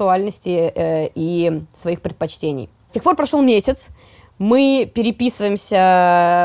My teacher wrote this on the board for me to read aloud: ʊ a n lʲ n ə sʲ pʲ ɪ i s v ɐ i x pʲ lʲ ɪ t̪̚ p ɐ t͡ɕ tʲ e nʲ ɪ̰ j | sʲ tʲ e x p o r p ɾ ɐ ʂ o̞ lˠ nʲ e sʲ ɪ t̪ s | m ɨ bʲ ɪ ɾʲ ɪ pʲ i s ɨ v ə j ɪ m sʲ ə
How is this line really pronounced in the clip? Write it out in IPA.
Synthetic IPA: ʊ a lʲ n ə sʲ tʲ ɪ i s v ɐ i x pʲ ɾʲ ɪ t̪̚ p ɐ t͡ɕ tʲ e nʲ ɪ̰ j | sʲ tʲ e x p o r p ɾ ɐ ʂ o̞ lˠ mʲ e sʲ ɪ t̪ s | m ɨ pʲ ɪ ɾʲ ɪ pʲ i s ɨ v ə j ɪ m sʲ ə